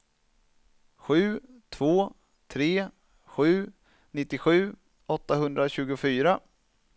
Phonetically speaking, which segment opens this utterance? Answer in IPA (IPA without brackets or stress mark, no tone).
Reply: ɧ